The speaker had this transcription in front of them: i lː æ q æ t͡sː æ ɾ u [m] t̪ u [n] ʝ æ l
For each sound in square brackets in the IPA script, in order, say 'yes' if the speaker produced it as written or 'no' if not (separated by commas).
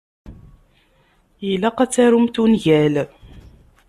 yes, yes